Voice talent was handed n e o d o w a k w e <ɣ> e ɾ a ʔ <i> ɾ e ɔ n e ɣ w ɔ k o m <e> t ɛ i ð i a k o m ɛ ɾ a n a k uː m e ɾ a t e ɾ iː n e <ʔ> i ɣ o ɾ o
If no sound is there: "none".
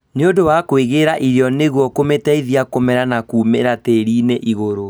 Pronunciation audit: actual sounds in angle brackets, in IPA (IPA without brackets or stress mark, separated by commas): ɣ, i, e, ʔ